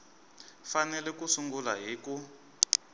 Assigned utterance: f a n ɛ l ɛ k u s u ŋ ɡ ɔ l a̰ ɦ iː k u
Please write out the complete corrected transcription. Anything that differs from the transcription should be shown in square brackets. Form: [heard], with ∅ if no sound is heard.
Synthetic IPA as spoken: f a n ɛ l ɛ k u s u ŋ ɡ [u] l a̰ ɦ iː k u